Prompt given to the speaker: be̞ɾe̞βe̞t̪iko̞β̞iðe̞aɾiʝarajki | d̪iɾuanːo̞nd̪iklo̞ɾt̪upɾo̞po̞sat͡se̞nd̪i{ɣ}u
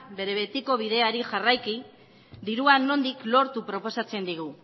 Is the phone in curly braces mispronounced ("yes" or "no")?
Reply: no